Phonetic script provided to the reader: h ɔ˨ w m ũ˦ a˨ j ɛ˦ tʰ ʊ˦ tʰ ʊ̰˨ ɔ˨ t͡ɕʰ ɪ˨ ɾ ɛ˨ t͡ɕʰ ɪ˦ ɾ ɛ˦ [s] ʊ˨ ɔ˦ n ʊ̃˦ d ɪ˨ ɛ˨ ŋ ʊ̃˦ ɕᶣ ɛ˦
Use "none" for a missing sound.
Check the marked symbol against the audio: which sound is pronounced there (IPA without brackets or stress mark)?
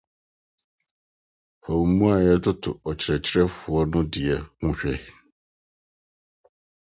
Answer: f